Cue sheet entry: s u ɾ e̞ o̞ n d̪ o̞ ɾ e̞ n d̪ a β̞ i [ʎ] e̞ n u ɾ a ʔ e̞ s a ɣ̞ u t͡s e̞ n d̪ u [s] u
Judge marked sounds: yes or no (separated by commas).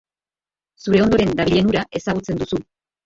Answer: yes, yes